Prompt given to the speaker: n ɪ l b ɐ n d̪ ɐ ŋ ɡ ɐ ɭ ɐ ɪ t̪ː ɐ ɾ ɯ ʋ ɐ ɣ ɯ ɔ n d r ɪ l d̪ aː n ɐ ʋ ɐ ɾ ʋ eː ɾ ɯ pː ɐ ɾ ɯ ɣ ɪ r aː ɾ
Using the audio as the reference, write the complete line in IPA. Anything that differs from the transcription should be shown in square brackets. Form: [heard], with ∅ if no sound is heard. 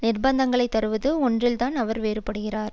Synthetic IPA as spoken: n ɪ [r] b ɐ n d̪ ɐ ŋ ɡ ɐ ɭ ɐ ɪ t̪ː ɐ ɾ ɯ ʋ ɐ [ð] ɯ ɔ n d r ɪ l [t̪] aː n ɐ ʋ ɐ ɾ ʋ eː ɾ ɯ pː ɐ [ɽ] ɯ ɣ ɪ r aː ɾ